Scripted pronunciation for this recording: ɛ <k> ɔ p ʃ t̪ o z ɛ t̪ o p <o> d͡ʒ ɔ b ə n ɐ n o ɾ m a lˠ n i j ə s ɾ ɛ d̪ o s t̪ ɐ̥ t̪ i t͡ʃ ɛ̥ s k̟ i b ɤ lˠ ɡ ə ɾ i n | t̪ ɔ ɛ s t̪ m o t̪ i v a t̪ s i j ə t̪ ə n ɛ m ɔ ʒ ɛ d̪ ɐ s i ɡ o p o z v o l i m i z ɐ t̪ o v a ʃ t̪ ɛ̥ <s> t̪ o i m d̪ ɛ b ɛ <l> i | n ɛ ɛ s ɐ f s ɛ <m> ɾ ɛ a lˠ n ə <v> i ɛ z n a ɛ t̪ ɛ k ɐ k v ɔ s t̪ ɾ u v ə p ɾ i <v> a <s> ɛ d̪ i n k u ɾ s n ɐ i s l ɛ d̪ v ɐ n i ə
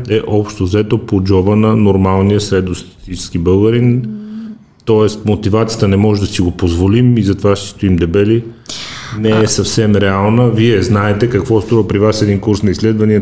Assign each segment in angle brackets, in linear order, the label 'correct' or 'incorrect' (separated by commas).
incorrect, correct, correct, correct, correct, correct, correct, correct